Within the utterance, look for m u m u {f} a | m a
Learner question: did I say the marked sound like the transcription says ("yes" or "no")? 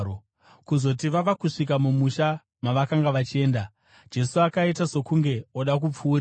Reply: no